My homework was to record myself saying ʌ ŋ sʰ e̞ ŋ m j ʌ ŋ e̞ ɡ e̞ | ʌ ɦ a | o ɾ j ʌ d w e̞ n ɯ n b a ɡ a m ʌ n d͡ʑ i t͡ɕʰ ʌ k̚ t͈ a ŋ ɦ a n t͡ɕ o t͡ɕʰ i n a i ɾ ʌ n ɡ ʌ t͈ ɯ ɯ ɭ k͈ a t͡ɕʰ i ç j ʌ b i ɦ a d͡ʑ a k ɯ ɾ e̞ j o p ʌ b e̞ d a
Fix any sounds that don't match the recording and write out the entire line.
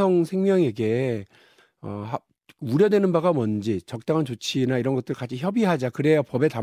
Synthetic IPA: ʌ ŋ sʰ e̞ ŋ m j ʌ ŋ e̞ ɡ e̞ | ʌ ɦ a | u ɾ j ʌ d w e̞ n ɯ n b a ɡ a m ʌ n d͡ʑ i t͡ɕ ʌ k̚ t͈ a ŋ ɦ a n t͡ɕ o t͡ɕʰ i n a i ɾ ʌ n ɡ ʌ t͈ ɯ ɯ ɭ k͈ a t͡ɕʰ i ç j ʌ b i ɦ a d͡ʑ a k ɯ ɾ e̞ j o p ʌ b e̞ t a